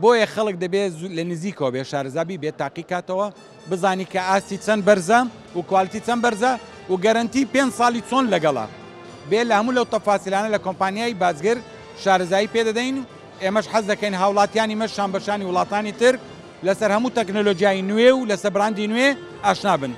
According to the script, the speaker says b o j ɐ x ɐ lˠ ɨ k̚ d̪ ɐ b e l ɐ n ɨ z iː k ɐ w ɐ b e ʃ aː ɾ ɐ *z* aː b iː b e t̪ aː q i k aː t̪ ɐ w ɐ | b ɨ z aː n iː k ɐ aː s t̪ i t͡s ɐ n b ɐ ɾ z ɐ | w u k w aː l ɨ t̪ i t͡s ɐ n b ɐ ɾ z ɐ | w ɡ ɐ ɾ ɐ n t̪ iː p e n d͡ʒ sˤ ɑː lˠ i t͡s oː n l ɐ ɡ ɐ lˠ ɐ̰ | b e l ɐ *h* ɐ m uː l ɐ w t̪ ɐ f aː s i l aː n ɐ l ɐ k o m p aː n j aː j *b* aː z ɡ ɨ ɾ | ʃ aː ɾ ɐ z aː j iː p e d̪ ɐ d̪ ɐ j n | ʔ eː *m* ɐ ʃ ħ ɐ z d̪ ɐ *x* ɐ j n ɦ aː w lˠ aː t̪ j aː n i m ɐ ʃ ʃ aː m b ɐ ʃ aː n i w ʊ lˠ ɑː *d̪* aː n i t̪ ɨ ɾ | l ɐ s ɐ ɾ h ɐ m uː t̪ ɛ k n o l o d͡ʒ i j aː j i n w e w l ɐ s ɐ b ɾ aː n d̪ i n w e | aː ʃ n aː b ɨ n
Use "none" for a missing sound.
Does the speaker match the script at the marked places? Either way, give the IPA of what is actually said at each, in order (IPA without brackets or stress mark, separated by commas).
z, h, b, m, k, t̪